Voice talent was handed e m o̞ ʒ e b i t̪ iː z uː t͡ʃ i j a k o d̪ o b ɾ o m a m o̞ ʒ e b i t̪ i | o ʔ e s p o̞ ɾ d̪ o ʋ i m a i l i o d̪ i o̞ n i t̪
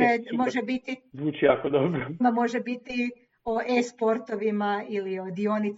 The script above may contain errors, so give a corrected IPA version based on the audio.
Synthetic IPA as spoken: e m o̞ ʒ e b i t̪ i z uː t͡ʃ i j a k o d̪ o b ɾ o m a m o̞ ʒ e b i t̪ i | o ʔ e s p o̞ ɾ t̪ o ʋ i m a i l i o d̪ i o̞ n i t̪